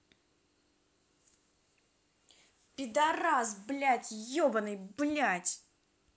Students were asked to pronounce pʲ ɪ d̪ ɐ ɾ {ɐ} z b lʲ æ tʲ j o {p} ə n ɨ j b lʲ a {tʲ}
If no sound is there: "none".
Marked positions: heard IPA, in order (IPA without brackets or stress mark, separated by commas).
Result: a, b, tʲ